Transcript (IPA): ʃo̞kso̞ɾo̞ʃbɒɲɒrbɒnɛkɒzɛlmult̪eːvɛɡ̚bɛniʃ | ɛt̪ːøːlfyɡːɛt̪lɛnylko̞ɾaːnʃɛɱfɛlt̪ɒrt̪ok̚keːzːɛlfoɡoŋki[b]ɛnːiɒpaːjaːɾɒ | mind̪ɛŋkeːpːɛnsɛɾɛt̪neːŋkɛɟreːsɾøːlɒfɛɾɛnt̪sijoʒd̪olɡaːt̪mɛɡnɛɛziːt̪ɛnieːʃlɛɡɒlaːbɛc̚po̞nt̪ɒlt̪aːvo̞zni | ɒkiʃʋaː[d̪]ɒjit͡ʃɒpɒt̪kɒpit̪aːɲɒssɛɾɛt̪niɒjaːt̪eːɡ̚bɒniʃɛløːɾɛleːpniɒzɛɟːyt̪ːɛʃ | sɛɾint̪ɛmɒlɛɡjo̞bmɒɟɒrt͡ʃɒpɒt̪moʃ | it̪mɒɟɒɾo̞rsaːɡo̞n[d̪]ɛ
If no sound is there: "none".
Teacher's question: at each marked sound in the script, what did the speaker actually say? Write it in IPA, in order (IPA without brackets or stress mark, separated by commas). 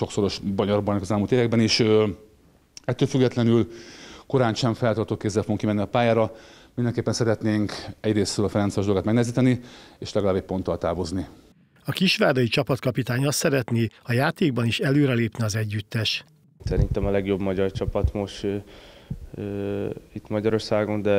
m, d̪, d̪